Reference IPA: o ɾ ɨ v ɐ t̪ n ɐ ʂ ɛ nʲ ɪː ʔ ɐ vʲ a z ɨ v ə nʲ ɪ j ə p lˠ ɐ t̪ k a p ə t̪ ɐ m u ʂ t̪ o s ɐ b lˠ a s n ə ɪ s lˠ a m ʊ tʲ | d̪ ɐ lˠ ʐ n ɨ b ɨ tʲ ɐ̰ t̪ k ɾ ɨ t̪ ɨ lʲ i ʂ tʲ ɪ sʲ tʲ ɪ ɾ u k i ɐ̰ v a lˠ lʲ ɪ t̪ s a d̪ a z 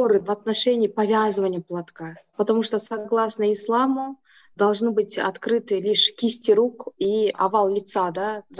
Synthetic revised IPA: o ɾ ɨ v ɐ t̪ n ɐ ʂ ɛ nʲ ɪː p ɐ vʲ a z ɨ v ə nʲ ɪ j ə p lˠ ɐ t̪ k a p ə t̪ ɐ m u ʂ t̪ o s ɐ ɡ lˠ a s n ə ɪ s lˠ a m ʊ | d̪ ɐ lˠ ʐ n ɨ b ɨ tʲ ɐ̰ t̪ k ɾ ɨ t̪ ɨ lʲ i ʂ kʲ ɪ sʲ tʲ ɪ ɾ u k i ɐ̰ v a lˠ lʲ ɪ t̪ s a d̪ a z